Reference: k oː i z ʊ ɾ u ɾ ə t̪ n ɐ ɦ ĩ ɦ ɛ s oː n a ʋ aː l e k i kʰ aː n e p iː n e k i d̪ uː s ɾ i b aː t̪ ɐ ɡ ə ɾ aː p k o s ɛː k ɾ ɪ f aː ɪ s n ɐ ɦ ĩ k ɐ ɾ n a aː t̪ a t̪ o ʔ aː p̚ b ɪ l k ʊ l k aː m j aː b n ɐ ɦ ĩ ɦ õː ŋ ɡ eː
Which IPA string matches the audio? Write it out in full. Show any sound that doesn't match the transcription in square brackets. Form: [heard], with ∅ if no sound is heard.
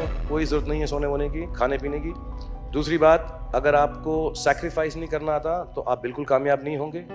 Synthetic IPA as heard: k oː i z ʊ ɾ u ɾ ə t̪ n ɐ ɦ ĩ ɦ ɛ s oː n [e] ʋ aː l e k i kʰ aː n e p iː n e k i d̪ uː s ɾ i b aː t̪ ɐ ɡ ə ɾ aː p k o s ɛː k ɾ ɪ f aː ɪ s n ɐ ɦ ĩ k ɐ ɾ n a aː t̪ a t̪ o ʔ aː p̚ b ɪ l k ʊ l k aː m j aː b n ɐ ɦ ĩ ɦ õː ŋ ɡ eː